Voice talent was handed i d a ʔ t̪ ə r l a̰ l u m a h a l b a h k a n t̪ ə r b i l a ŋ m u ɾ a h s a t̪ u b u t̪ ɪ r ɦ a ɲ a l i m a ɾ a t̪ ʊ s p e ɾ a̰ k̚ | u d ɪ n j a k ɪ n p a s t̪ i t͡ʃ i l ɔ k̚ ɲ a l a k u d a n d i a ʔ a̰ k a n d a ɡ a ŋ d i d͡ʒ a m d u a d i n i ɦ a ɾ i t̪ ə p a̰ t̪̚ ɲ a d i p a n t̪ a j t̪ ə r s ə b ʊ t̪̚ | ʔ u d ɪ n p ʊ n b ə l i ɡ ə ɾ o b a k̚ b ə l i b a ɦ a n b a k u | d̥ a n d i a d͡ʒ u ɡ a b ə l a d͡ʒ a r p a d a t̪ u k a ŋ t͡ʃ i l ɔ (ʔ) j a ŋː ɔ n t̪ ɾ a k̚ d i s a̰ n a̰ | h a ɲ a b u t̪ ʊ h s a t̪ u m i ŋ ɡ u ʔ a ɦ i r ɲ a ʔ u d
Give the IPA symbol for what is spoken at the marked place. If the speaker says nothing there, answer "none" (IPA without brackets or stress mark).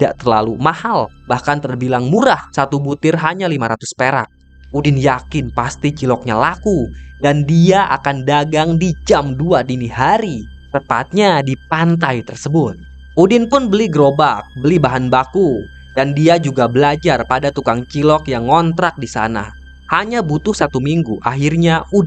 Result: k